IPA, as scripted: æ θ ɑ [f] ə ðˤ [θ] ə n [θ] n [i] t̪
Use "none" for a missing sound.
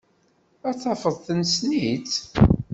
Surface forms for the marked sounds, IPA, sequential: f, θ, s, i

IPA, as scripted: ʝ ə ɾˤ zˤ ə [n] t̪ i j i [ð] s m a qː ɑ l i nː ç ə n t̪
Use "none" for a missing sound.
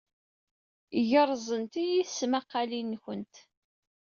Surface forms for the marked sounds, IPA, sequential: n, θ

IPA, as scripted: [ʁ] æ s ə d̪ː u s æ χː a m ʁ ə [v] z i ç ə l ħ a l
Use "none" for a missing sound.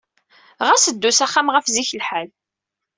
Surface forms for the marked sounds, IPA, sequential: ʁ, f

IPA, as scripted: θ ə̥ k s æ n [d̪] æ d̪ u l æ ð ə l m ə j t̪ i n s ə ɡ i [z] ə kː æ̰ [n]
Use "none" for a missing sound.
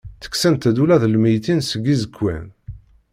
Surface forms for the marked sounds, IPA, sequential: t̪, z, n

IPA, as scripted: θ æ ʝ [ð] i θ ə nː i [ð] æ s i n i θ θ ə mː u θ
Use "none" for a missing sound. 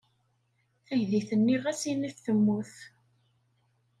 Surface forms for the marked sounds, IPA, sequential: ð, ʁ

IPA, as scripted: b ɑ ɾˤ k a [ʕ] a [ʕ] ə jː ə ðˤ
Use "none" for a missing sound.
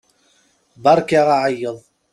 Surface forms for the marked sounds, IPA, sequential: ʁ, ʕ

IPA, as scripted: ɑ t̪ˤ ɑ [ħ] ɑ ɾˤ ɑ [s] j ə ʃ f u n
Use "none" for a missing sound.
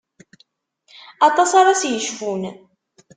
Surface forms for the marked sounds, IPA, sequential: s, s

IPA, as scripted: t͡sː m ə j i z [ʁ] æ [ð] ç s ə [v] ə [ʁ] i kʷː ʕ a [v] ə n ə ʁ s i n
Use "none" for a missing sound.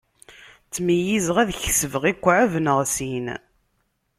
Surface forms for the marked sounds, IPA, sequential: ʁ, ð, v, ʁ, v

